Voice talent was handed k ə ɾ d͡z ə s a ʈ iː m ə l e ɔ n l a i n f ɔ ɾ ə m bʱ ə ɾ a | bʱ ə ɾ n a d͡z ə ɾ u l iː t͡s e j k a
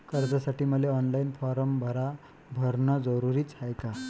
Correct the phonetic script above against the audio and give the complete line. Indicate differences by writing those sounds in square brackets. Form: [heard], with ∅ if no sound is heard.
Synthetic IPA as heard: k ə ɾ d͡z [a] s a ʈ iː m ə l e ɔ n l a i n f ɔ ɾ ə m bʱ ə ɾ a | bʱ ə ɾ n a d͡z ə ɾ u [ɾ] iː t͡s [a] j k a